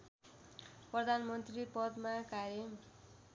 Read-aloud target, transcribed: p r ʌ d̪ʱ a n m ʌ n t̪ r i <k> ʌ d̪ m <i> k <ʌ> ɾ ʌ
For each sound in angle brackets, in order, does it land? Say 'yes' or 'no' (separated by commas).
no, no, no